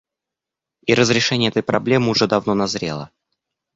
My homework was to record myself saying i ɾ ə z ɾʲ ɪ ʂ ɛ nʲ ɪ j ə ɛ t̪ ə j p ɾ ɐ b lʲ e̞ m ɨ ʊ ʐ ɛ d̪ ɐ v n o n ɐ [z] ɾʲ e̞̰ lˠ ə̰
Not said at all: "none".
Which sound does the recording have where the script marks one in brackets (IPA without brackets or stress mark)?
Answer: z